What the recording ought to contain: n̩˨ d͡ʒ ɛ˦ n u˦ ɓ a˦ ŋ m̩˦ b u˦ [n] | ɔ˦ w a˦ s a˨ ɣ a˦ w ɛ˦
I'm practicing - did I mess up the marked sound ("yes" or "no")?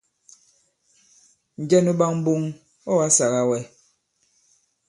yes